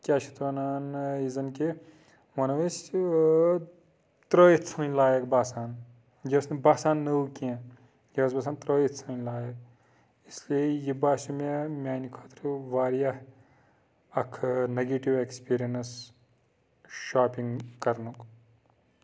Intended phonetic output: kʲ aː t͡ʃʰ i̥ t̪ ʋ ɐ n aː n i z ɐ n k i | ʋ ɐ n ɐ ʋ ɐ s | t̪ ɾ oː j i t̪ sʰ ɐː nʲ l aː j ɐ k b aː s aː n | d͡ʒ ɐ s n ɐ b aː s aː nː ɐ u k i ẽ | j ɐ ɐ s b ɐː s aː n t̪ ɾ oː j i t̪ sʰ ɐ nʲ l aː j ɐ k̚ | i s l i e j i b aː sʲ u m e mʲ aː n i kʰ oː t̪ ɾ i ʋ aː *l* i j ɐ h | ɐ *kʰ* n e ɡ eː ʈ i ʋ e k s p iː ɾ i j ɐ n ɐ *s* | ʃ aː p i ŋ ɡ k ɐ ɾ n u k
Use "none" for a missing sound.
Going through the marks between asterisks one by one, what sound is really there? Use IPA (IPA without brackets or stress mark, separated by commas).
ɾ, kʰ, s